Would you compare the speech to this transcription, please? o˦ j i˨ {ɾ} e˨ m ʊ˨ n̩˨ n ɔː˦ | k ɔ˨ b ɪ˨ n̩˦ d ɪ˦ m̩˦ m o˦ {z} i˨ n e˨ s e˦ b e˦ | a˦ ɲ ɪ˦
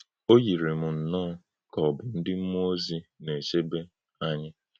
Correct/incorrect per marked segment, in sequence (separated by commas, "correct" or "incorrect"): correct, correct